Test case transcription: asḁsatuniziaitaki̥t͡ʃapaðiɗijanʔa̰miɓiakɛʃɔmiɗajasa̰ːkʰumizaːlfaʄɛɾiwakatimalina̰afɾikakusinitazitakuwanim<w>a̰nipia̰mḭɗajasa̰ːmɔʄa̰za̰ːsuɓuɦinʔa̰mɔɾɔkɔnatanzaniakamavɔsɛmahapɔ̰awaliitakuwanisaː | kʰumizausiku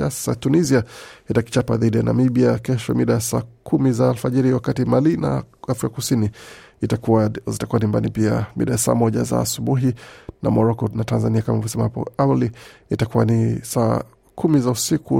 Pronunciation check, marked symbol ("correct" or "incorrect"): incorrect